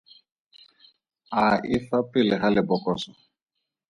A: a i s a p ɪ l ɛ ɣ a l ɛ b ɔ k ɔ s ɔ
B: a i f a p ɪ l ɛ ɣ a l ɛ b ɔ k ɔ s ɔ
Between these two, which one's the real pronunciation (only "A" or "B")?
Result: B